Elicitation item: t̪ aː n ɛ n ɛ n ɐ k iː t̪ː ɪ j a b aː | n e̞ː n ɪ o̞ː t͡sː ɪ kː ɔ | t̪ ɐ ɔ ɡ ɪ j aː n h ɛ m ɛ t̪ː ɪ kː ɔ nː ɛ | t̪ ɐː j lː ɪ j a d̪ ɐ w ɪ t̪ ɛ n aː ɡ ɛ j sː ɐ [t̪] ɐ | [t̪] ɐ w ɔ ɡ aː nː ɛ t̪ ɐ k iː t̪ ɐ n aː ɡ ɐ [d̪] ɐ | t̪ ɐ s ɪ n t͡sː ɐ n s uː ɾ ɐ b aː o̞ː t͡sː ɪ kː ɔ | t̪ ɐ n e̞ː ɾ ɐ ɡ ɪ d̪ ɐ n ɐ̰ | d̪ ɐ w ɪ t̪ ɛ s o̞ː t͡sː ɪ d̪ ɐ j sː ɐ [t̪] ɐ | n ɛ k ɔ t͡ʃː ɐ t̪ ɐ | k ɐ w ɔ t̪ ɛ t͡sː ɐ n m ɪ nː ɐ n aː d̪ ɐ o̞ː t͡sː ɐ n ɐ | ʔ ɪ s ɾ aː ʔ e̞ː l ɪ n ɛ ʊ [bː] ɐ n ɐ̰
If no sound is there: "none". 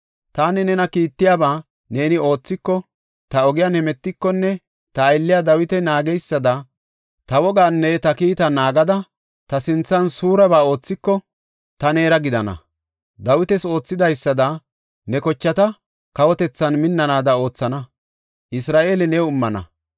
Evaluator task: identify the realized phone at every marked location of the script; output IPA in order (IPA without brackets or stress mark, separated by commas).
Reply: d̪, t̪, d̪, d̪, mː